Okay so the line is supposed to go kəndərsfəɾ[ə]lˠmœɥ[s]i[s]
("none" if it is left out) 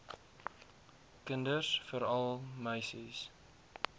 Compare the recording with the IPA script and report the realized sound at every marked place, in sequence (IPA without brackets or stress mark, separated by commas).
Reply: ɐ, s, s